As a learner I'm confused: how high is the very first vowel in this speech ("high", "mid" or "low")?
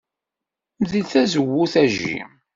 high